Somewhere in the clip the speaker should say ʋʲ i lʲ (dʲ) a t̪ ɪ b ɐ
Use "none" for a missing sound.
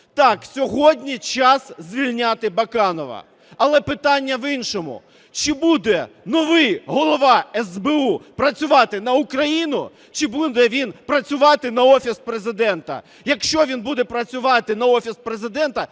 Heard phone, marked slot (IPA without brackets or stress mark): nʲ